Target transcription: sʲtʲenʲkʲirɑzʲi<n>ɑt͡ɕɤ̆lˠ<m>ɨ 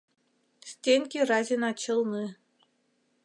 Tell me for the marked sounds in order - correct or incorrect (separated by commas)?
correct, incorrect